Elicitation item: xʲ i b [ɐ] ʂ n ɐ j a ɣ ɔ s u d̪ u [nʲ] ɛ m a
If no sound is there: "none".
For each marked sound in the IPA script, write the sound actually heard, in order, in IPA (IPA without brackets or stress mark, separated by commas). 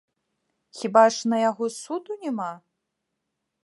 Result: a, nʲ